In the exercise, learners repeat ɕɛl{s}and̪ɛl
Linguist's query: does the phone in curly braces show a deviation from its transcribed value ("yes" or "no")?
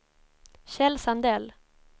no